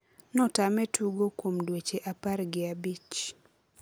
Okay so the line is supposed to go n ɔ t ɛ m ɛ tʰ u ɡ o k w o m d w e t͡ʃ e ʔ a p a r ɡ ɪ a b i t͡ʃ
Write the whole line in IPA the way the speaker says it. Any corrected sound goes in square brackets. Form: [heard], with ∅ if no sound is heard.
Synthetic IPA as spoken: n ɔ t [a] m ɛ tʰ u ɡ o k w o m d w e t͡ʃ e ʔ a p a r ɡ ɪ a b i t͡ʃ